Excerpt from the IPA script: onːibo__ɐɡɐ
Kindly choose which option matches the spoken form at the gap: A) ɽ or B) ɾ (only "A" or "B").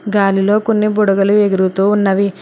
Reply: A